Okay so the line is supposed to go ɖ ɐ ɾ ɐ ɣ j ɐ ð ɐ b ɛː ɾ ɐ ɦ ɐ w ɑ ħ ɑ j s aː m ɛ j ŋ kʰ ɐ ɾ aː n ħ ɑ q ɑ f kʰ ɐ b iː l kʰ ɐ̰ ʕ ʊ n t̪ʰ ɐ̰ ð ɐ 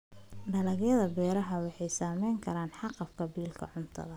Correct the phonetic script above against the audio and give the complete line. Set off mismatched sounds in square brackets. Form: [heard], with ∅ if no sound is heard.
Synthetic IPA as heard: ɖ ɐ [l] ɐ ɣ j ɐ ð ɐ b ɛː ɾ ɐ ɦ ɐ w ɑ ħ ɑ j s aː m ɛ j ŋ kʰ ɐ ɾ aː n ħ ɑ q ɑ f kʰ ɐ b iː l kʰ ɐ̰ ʕ ʊ n t̪ʰ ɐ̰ ð ɐ